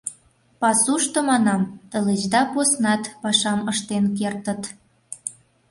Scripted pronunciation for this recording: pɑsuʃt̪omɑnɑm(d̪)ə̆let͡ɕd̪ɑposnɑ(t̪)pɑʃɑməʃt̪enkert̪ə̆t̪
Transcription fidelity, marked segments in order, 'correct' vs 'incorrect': incorrect, correct

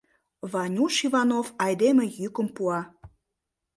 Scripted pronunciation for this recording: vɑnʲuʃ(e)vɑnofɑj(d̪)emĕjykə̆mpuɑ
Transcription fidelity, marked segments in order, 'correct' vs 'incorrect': incorrect, correct

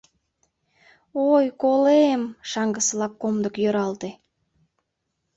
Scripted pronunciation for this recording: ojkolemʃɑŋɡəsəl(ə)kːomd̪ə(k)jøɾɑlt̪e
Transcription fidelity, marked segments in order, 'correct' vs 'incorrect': incorrect, correct

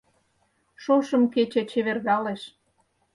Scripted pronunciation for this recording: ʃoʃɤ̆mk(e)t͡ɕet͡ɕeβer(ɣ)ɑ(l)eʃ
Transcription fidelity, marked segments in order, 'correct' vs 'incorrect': correct, correct, correct

